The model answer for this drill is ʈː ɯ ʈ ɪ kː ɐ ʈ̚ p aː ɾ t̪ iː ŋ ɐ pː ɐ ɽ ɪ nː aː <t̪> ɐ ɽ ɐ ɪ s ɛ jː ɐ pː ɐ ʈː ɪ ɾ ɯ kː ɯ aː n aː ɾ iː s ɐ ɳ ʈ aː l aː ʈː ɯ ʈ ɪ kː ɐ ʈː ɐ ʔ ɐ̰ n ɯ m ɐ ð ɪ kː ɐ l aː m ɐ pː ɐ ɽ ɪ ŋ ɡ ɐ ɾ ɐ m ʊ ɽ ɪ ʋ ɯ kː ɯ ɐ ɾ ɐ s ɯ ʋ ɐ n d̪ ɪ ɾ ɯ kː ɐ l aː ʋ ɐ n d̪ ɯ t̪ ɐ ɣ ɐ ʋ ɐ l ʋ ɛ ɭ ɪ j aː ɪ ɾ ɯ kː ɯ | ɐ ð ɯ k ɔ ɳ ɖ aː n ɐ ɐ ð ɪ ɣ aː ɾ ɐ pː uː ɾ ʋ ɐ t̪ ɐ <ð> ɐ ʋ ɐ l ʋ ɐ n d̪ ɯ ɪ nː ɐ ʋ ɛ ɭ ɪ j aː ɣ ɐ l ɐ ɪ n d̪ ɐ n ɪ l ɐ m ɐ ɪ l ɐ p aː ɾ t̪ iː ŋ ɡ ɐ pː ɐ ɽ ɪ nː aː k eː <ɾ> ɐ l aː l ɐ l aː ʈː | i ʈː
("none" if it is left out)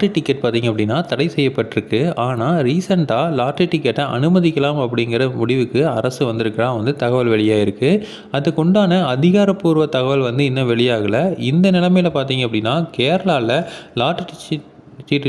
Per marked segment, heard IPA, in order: t̪, ɣ, ɾ

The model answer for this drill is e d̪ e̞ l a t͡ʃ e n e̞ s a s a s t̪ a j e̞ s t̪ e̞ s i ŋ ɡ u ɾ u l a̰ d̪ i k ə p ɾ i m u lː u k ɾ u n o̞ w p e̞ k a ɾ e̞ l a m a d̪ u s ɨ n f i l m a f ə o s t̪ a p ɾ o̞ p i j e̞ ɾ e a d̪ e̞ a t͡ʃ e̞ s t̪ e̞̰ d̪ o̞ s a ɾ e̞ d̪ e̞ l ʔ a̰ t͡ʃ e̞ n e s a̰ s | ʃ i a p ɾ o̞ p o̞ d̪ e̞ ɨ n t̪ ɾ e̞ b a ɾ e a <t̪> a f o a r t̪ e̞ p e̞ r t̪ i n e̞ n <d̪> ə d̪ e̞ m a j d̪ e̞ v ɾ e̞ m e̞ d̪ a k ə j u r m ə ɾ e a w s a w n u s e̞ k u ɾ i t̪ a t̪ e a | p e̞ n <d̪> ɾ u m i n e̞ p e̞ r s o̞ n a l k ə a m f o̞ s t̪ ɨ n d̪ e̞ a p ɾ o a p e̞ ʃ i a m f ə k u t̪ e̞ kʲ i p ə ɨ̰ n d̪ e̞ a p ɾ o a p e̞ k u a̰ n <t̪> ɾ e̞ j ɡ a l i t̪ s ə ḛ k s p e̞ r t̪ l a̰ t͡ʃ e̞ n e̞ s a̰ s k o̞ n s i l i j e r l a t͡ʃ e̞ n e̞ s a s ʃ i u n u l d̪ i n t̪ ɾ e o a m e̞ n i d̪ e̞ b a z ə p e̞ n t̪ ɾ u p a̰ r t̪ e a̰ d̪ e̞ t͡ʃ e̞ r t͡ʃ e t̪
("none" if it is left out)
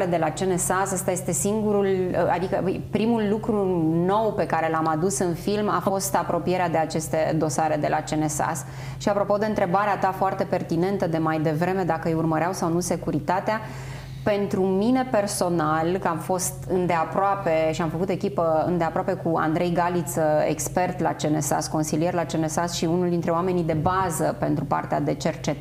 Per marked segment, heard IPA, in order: t̪, t̪, t̪, d̪

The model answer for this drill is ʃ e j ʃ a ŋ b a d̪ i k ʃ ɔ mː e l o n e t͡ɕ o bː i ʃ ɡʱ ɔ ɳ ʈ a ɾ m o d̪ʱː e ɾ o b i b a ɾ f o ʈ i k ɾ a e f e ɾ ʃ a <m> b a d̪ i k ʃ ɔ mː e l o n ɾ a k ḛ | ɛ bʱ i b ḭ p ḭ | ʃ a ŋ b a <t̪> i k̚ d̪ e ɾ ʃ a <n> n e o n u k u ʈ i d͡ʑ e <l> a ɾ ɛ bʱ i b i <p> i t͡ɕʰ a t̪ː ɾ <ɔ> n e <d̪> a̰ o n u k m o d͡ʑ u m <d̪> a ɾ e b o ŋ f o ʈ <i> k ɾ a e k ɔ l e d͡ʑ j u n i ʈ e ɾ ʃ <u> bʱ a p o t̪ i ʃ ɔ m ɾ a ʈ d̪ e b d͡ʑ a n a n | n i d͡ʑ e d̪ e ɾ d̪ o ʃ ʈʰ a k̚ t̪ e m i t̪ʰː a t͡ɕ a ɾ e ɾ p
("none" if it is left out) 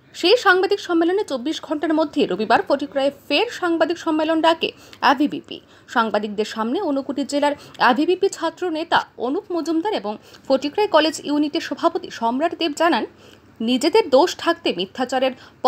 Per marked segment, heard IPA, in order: ŋ, d̪, m, l, p, o, t̪, d̪, i, ɔ

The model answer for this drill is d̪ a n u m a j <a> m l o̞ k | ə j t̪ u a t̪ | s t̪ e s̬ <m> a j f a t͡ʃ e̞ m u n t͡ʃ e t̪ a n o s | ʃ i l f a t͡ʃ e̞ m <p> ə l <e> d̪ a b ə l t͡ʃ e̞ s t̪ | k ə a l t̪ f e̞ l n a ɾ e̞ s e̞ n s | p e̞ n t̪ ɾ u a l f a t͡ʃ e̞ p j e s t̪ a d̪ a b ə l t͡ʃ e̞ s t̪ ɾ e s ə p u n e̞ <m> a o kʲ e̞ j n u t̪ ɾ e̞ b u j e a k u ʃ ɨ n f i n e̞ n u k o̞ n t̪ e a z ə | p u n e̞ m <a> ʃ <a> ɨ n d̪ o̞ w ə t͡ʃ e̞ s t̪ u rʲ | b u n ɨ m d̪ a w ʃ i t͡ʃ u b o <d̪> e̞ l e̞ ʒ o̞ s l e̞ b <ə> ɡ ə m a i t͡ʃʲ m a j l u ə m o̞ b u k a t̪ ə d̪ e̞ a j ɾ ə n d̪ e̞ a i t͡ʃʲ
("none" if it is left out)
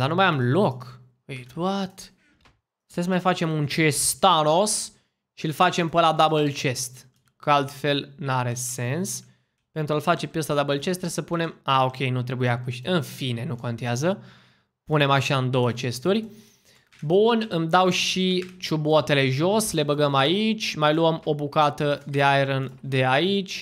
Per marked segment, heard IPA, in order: a, m, p, a, m, a, a, t̪, ə

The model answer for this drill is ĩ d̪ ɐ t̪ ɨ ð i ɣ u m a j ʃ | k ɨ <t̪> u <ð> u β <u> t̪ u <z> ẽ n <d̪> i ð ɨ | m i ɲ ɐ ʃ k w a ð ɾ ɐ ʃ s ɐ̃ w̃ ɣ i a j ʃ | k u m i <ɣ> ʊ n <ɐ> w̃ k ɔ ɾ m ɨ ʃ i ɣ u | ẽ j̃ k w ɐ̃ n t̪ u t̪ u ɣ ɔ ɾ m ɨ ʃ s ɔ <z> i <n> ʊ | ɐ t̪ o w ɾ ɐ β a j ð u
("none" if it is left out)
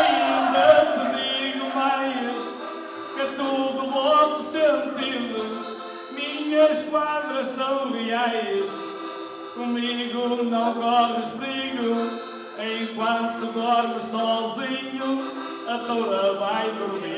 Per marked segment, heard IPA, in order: t̪, ð, ɔ, s, t̪, ɣ, ɐ̃, z, ɲ

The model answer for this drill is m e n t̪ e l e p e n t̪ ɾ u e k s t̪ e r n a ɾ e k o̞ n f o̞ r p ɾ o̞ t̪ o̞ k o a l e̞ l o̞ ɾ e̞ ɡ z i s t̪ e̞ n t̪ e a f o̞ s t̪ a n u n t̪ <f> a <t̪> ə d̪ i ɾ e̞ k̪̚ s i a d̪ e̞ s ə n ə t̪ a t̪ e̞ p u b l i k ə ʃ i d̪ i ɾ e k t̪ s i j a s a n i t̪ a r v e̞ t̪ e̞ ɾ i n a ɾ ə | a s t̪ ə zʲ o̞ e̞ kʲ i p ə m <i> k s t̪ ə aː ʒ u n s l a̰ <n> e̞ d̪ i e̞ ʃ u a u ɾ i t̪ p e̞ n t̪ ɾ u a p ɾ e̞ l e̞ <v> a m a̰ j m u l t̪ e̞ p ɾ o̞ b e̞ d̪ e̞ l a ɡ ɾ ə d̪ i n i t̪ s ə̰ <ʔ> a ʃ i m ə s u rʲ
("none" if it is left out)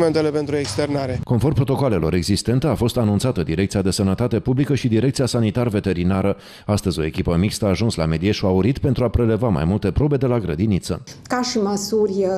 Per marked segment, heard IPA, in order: s, t̪, i, m, v, k

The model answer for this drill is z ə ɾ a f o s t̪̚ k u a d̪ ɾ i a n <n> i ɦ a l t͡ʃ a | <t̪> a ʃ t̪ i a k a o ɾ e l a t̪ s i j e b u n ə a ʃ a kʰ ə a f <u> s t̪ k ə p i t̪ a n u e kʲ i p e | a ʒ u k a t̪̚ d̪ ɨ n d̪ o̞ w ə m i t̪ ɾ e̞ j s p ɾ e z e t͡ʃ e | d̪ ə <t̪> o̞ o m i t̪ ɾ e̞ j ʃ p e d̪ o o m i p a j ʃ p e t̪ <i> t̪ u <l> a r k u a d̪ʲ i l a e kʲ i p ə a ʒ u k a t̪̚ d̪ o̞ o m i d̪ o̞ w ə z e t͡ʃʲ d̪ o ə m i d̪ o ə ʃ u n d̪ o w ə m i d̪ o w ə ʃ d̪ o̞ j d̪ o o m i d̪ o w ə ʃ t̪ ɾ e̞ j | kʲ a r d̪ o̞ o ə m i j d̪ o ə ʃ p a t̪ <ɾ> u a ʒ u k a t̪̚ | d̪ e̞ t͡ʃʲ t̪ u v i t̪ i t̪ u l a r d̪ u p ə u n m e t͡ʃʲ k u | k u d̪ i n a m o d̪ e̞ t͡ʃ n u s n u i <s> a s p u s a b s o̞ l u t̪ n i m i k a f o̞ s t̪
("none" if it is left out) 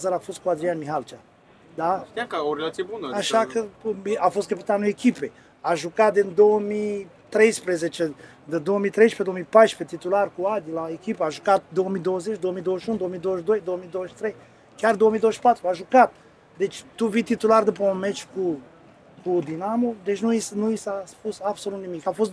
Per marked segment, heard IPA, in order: m, d̪, o, d̪, i, l, ɾ, s

